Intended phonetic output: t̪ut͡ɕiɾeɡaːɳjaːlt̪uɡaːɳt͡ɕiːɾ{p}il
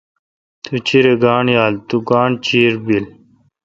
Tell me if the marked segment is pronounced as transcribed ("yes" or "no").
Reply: no